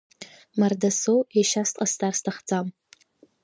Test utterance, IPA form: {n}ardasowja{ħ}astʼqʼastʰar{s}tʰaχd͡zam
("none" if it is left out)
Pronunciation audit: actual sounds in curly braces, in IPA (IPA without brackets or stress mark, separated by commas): m, ʃ, s